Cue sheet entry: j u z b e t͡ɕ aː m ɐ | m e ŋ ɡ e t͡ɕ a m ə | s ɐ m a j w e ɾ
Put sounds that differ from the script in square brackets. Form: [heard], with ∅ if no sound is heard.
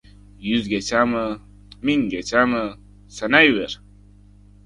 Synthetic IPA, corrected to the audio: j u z [ɡ] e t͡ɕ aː m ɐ | m [i] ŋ ɡ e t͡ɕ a m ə | s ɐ [n] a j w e ɾ

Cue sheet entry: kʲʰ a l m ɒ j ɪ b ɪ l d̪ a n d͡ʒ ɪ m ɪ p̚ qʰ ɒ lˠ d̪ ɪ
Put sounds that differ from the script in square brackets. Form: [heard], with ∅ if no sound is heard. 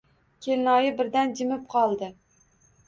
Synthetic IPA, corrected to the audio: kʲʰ [e] l [n] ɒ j ɪ b ɪ [ɾ] d̪ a n d͡ʒ ɪ m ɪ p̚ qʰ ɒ lˠ d̪ ɪ

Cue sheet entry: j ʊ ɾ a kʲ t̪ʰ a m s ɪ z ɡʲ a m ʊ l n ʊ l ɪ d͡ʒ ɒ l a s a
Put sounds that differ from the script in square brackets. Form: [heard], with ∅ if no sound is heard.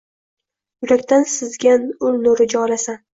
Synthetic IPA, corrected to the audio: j ʊ ɾ a kʲ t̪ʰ a [n] s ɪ z ɡʲ a [n] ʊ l n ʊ [ɾ] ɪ d͡ʒ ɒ l a s a

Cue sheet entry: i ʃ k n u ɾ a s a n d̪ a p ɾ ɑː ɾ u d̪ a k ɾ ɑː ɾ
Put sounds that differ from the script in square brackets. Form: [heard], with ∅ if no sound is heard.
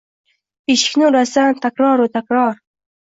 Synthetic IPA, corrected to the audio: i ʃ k n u ɾ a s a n [t̪] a [k] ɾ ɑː ɾ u [t̪] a k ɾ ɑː ɾ

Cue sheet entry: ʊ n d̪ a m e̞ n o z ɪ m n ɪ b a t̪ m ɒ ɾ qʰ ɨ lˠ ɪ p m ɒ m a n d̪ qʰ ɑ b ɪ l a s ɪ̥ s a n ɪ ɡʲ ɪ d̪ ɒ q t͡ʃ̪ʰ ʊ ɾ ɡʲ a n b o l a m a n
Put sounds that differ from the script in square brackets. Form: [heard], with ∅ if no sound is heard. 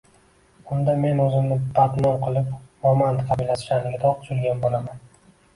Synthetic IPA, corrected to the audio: ʊ n d̪ a m e̞ n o z ɪ m n ɪ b a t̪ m ɒ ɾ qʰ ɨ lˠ ɪ p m ɒ m a n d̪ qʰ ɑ b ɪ l a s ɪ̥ [ʃ] a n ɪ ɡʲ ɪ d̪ ɒ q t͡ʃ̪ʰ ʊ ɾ ɡʲ a n b o l a m a n

